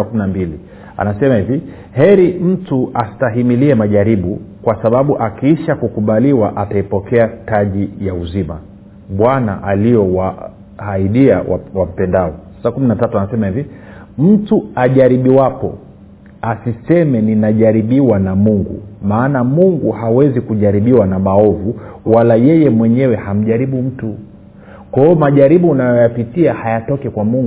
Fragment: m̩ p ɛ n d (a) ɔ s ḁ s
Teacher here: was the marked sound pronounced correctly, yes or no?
yes